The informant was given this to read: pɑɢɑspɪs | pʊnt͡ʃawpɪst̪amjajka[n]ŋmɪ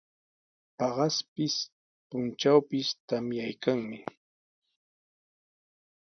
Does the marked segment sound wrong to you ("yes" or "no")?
yes